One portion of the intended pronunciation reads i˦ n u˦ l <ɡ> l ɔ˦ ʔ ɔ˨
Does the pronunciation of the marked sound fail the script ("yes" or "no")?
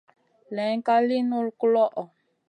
yes